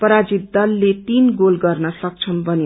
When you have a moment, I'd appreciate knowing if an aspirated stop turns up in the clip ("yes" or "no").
yes